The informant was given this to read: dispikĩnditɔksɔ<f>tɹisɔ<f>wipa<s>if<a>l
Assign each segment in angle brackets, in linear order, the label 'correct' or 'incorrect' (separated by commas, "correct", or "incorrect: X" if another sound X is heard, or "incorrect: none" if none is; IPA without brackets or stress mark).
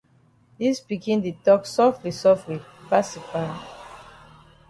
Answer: correct, correct, correct, correct